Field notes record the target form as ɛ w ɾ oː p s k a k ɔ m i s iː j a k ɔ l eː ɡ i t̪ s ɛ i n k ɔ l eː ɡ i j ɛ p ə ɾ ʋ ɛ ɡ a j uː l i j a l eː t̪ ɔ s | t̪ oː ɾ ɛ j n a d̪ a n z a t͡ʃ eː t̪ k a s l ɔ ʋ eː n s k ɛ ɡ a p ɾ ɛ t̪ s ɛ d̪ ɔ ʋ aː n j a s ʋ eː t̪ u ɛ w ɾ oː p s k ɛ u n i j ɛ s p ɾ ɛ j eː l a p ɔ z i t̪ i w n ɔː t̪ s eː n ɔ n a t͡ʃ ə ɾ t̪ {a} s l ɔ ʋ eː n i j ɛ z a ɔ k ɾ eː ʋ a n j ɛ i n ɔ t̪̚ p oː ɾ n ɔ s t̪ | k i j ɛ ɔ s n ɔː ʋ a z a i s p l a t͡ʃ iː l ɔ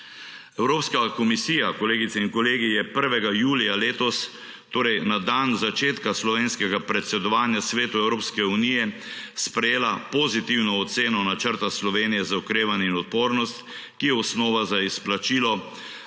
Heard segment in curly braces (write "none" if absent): a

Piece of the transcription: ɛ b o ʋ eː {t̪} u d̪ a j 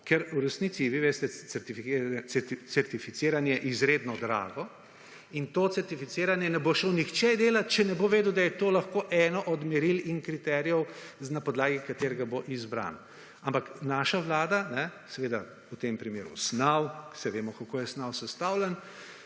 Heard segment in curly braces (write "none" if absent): d̪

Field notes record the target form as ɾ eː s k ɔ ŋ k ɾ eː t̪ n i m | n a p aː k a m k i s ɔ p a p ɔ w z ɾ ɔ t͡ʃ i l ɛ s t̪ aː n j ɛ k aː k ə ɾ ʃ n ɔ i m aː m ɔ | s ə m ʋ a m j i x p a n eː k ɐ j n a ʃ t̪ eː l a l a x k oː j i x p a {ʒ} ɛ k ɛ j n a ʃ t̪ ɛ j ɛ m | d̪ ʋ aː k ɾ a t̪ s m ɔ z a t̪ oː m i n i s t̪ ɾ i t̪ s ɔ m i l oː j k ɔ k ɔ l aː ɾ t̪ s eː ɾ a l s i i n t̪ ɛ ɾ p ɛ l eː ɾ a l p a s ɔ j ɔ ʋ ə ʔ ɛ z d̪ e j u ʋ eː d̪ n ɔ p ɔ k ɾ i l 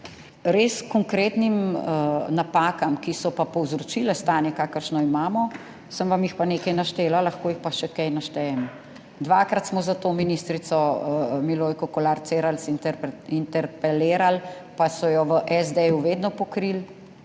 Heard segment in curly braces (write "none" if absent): ʃ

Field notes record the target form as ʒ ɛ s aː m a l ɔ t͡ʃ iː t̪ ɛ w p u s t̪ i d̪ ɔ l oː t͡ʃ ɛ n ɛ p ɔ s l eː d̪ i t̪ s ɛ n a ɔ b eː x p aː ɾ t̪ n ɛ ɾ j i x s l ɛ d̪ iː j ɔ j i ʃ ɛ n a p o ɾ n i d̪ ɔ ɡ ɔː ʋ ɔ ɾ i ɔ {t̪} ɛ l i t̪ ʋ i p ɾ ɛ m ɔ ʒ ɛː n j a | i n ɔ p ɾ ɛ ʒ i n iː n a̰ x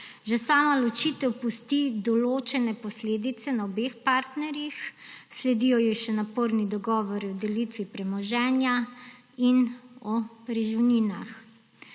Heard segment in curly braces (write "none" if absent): d̪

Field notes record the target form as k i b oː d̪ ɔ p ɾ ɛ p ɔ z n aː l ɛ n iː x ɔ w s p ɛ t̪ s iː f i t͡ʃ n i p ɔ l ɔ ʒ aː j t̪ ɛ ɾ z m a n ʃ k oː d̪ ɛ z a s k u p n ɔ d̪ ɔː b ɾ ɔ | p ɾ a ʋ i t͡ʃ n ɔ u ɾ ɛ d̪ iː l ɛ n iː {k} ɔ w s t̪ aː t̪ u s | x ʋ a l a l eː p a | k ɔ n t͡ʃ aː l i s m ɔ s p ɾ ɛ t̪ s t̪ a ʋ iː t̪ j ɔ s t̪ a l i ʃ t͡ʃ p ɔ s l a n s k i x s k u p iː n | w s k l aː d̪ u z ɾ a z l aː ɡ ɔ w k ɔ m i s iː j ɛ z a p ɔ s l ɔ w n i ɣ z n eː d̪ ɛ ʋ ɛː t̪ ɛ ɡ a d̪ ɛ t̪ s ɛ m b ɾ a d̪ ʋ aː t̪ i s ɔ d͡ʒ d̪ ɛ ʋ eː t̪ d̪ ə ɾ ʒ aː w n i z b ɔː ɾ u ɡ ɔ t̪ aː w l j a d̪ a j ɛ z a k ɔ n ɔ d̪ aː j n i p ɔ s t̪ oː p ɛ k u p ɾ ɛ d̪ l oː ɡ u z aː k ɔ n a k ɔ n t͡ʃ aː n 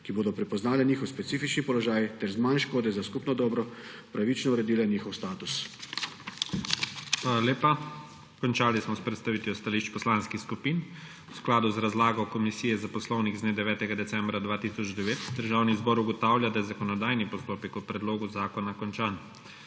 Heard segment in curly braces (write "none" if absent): x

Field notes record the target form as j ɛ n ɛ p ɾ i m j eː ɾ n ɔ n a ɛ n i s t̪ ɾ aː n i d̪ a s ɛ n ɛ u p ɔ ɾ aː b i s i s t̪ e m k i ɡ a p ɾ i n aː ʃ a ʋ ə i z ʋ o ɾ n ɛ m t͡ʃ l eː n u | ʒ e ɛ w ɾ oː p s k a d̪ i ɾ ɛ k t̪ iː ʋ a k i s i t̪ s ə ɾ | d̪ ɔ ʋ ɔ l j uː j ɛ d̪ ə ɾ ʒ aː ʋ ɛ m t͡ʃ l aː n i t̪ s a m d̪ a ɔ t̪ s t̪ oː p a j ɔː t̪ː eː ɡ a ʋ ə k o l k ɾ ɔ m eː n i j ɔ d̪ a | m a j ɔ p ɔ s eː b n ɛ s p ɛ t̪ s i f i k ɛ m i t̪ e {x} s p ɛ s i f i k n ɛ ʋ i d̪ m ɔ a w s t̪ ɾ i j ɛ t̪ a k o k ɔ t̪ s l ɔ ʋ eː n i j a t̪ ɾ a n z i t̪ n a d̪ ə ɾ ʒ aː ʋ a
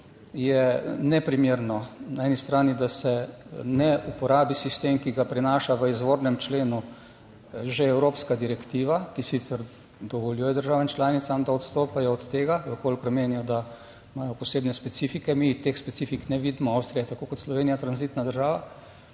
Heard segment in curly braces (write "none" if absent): x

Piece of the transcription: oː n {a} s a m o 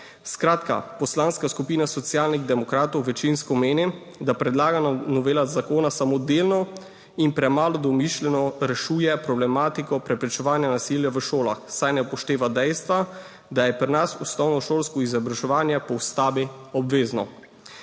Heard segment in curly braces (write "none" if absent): a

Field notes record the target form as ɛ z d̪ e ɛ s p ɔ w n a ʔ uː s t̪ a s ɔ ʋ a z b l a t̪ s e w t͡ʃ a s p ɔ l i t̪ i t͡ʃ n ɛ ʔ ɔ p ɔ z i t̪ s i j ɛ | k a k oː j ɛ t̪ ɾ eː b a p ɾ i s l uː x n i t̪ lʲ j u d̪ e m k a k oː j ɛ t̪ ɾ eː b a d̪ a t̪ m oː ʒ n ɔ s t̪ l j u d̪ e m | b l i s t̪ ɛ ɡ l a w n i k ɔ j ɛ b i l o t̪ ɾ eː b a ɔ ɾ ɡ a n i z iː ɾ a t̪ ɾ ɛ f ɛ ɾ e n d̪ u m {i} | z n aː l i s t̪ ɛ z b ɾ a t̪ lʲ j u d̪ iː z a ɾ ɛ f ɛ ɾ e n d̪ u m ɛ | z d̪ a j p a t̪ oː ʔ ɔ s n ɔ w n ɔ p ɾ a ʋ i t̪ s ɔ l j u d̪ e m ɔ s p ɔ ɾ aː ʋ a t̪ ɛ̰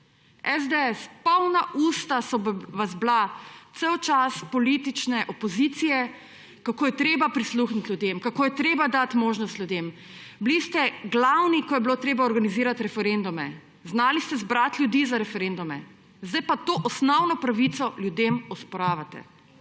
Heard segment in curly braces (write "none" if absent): ɛ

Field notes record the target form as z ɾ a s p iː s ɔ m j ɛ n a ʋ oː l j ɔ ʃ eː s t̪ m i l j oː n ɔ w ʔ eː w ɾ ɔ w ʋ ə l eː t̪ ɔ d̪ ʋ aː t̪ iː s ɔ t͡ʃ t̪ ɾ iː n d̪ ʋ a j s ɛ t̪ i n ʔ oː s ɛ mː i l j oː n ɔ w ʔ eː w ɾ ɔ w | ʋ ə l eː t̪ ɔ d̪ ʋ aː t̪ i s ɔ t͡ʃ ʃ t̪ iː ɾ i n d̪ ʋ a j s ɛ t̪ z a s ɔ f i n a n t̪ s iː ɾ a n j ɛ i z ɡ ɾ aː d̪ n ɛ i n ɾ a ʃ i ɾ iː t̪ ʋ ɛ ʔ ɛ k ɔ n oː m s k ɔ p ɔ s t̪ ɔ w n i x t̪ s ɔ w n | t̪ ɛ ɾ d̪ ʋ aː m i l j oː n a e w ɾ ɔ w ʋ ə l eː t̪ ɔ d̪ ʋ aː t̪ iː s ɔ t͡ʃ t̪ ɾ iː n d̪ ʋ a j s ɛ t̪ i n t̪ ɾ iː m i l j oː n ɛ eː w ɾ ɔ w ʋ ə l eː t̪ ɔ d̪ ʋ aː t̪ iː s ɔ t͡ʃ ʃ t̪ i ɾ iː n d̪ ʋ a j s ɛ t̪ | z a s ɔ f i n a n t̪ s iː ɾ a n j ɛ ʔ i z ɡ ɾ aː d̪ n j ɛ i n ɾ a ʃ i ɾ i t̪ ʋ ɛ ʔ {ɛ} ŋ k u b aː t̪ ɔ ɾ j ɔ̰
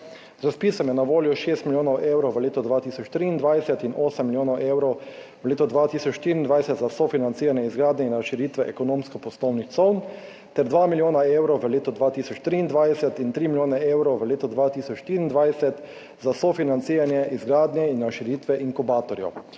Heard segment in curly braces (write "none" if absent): i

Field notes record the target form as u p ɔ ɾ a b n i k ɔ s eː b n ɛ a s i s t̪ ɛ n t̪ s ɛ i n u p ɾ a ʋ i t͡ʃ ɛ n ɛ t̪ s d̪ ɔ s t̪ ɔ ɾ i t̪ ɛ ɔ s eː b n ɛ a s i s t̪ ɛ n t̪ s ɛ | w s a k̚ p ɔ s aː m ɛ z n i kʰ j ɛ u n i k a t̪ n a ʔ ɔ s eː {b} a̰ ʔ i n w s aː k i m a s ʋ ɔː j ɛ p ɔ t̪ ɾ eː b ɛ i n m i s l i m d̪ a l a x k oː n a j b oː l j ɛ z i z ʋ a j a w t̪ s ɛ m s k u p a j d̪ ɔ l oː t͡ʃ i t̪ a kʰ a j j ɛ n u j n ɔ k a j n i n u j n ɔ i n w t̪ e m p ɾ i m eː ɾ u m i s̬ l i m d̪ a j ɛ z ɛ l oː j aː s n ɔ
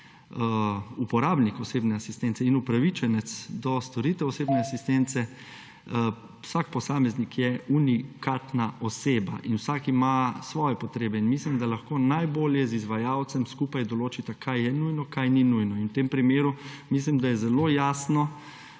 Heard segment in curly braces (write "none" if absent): b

